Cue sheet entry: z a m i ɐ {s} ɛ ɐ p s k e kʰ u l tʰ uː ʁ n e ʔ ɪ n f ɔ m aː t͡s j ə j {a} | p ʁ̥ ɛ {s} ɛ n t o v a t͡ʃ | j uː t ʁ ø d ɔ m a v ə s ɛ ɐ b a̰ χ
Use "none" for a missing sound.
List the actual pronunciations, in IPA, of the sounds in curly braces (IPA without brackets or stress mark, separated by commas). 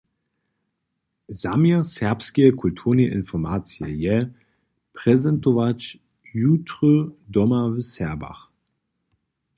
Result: s, ɛ, z